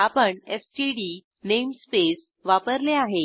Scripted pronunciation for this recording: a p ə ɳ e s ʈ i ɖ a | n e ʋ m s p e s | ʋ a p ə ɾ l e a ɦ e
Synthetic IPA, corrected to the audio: a p ə ɳ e s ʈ i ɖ i | n e m s p e s | ʋ a p ə ɾ l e a ɦ e